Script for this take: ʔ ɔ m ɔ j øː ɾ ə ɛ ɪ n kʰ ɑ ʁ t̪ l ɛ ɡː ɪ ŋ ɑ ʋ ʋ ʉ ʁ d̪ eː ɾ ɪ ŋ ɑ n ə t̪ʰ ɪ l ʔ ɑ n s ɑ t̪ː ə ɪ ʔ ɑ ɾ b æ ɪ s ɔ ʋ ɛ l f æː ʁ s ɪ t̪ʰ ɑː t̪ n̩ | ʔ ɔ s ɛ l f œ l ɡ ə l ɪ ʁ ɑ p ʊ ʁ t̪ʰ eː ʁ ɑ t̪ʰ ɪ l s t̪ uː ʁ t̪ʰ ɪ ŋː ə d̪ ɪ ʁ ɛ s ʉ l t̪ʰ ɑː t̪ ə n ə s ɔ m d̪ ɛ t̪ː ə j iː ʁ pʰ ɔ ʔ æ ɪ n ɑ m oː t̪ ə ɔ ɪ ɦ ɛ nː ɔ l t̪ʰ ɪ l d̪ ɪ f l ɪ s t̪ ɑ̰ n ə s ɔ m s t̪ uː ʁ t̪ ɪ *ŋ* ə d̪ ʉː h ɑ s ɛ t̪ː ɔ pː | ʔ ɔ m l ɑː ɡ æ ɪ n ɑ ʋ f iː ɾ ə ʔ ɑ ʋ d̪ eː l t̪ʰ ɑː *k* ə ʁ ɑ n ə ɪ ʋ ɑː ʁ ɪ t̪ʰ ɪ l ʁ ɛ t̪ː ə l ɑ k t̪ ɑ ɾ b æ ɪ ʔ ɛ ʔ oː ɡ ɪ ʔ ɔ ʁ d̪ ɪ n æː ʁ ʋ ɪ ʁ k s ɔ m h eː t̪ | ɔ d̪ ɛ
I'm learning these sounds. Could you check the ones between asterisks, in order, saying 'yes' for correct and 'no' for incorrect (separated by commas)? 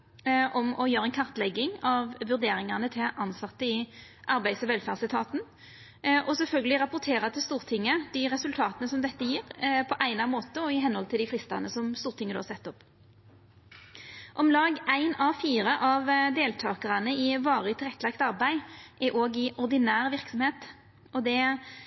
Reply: yes, yes